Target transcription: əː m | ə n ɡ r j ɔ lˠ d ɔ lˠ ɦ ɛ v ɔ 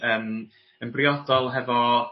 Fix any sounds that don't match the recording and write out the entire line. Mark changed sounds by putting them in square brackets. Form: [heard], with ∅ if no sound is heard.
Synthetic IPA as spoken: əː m | ə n [b] r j ɔ [∅] d ɔ lˠ ɦ ɛ v ɔ